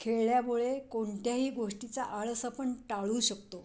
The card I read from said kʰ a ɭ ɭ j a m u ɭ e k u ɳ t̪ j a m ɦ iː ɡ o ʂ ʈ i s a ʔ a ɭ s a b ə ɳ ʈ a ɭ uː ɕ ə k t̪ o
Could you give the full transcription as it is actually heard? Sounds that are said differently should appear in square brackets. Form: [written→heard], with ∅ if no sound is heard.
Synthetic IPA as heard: kʰ [a→e] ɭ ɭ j a m u ɭ e k [u→o] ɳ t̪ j a [m→∅] ɦ iː ɡ o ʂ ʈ i [s→t͡s] a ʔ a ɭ s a [b→p] ə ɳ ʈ a ɭ uː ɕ ə k t̪ o